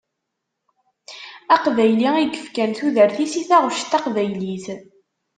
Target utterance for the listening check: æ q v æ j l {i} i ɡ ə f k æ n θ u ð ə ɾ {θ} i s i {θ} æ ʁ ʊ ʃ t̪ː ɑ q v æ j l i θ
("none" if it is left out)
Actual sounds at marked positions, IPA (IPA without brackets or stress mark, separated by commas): i, θ, θ